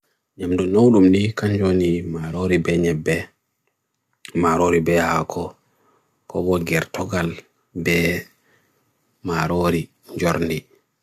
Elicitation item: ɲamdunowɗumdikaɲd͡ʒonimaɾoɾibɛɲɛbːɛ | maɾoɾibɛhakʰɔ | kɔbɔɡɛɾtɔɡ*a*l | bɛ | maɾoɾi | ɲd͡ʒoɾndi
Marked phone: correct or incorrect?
correct